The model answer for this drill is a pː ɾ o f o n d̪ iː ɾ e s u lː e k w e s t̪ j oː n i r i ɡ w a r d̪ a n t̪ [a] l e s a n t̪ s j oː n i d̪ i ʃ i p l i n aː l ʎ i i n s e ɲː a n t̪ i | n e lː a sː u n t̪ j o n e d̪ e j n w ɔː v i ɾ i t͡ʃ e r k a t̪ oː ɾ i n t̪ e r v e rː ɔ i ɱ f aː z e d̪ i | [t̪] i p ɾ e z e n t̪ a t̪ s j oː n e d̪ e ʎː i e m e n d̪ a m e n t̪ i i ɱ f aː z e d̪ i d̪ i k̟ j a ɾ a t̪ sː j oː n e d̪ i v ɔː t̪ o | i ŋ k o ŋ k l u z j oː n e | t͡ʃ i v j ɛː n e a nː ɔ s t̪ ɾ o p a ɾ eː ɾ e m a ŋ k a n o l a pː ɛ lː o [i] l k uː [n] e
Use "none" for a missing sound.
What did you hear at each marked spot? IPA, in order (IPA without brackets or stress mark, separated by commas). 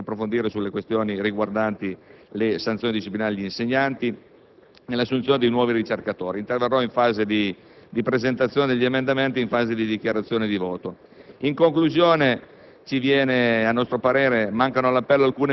i, d̪, a, n